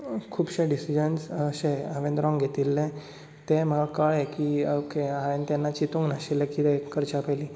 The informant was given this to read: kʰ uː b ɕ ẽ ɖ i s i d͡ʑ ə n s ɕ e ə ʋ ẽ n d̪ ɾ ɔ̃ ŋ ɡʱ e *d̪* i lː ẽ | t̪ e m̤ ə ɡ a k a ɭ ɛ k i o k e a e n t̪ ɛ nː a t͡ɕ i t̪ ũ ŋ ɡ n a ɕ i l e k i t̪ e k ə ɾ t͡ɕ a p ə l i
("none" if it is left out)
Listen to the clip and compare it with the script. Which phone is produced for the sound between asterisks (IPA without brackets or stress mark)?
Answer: t̪